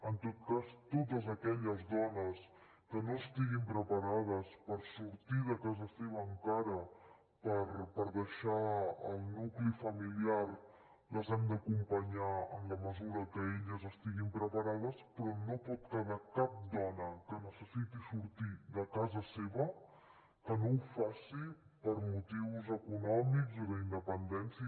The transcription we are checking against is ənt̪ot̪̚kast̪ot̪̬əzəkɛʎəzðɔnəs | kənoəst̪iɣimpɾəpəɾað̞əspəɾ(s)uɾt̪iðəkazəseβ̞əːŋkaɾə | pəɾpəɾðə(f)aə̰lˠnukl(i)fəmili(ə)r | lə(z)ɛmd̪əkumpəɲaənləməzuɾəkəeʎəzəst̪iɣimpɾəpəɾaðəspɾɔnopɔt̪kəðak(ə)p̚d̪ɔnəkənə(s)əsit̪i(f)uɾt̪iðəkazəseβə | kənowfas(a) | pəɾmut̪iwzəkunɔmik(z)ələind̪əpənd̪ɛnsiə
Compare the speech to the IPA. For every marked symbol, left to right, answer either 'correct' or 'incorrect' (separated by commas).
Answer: correct, incorrect, correct, incorrect, correct, incorrect, correct, incorrect, incorrect, correct